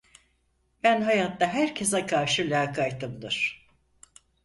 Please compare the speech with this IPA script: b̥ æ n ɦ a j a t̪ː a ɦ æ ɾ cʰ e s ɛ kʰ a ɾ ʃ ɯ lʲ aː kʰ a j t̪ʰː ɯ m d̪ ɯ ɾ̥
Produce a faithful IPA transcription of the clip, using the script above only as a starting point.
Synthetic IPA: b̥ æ n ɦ a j a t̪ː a ɦ æ ɾ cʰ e s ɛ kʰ a ɾ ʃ ɯ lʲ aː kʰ a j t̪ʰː ɯ m d̪ ɯ ɾ̥